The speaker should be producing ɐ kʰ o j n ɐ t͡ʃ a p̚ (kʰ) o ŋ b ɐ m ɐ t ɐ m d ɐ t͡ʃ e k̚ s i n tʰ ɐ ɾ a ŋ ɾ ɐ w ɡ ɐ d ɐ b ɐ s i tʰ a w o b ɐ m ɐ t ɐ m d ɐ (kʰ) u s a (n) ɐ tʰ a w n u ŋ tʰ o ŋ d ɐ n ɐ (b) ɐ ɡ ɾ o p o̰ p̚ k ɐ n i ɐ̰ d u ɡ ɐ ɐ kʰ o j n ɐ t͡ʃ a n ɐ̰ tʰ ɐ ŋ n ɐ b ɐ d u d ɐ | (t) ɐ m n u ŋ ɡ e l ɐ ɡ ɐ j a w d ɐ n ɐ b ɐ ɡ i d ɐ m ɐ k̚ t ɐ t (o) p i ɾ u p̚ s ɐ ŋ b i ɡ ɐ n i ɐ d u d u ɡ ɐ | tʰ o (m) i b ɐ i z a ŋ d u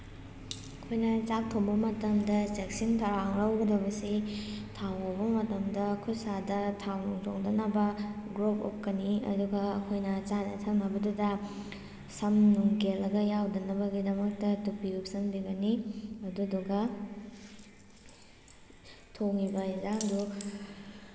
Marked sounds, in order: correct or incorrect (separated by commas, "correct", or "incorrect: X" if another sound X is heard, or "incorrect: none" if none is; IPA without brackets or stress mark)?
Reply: incorrect: tʰ, correct, incorrect: d, correct, incorrect: s, incorrect: u, incorrect: ŋ